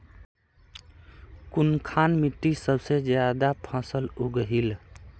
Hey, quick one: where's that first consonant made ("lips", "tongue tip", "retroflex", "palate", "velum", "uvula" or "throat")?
velum